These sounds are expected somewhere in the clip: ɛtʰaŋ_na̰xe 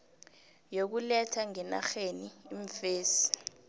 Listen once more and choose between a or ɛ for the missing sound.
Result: ɛ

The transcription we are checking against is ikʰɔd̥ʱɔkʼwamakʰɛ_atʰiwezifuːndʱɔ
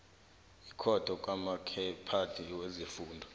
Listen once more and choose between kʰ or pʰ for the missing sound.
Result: pʰ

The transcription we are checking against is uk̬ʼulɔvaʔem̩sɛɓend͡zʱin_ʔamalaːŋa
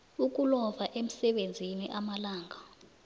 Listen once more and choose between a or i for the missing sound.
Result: i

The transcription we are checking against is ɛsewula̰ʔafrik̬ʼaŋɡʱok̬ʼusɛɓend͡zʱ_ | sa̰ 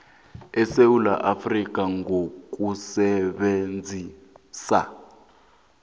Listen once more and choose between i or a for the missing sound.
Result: i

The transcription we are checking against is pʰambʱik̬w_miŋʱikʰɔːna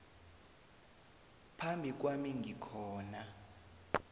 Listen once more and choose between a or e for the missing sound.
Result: a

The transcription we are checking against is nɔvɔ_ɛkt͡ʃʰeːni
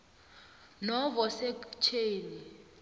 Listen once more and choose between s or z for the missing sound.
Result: s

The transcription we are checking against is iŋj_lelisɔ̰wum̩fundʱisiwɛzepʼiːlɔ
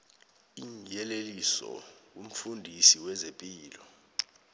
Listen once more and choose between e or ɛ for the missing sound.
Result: ɛ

